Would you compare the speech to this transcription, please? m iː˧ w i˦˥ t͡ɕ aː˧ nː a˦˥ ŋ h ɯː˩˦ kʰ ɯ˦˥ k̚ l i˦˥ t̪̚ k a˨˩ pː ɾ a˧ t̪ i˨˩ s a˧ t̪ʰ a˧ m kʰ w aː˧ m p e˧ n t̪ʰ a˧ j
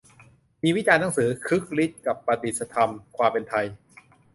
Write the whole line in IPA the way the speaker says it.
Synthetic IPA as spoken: m iː˧ w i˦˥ t͡ɕ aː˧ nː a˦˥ ŋ s ɯː˩˦ kʰ ɯ˦˥ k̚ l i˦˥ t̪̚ k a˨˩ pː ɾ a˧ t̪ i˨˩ s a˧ t̪ʰ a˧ m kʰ w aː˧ m p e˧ n t̪ʰ a˧ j